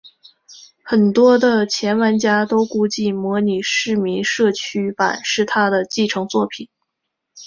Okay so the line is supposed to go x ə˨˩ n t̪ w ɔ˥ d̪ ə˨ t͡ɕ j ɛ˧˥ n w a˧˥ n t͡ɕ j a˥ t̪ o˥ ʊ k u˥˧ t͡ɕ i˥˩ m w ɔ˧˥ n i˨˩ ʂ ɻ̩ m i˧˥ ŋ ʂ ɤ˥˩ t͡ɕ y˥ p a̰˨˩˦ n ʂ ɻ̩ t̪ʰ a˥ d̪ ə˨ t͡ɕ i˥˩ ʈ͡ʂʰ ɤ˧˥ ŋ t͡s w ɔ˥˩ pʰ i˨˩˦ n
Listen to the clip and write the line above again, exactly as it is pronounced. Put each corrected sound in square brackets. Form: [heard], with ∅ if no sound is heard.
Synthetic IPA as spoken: x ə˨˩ n t̪ w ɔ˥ d̪ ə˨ [t͡ɕʰ] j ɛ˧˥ n w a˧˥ n t͡ɕ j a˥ t̪ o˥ ʊ k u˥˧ t͡ɕ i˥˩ m w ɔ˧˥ n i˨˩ ʂ ɻ̩ m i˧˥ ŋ ʂ ɤ˥˩ [t͡ɕʰ] y˥ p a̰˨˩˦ n ʂ ɻ̩ t̪ʰ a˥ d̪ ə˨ t͡ɕ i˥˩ ʈ͡ʂʰ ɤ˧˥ ŋ t͡s w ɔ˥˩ pʰ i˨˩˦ n